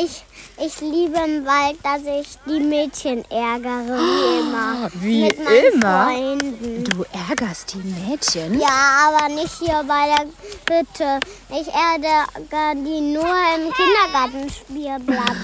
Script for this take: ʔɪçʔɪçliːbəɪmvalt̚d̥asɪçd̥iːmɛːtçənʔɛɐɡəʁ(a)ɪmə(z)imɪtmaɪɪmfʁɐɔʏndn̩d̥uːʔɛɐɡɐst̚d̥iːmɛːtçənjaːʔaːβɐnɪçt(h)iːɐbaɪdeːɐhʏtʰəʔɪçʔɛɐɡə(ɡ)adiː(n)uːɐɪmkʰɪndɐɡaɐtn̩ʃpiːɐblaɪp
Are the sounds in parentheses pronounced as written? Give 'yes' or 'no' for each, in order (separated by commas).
no, no, yes, yes, yes